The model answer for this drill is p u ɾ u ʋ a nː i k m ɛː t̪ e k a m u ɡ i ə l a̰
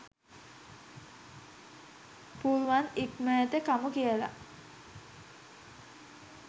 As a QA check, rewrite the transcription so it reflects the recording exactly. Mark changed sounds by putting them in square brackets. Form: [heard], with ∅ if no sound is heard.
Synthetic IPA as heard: p u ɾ u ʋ a [n] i k m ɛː t̪ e k a m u [k] i ə l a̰